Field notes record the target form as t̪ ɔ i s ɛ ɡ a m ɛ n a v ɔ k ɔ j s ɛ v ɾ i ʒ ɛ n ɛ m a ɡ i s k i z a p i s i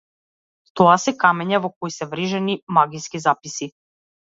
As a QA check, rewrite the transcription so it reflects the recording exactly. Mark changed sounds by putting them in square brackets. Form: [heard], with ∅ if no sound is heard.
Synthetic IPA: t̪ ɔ [a] s ɛ [k] a m ɛ [ɲ] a v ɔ k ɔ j s ɛ v ɾ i ʒ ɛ n [i] m a ɡ i s k i z a p i s i